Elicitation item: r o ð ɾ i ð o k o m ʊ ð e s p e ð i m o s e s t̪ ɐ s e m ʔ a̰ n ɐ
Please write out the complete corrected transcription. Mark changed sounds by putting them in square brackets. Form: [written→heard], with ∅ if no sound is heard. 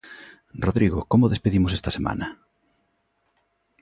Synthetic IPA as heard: r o ð ɾ i [ð→ɣ] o k o m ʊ ð e s p e ð i m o s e s t̪ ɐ s e m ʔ a̰ n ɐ